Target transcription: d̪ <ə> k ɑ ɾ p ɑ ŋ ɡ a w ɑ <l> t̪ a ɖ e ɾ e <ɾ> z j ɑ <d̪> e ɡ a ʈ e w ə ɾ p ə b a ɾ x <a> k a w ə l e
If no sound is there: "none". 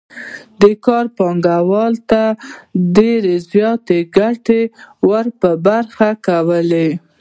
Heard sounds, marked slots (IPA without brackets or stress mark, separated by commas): ə, l, none, t̪, a